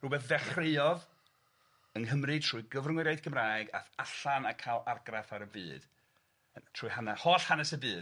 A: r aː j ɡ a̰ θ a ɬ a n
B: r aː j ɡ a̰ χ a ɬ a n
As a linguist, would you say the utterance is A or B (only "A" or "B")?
A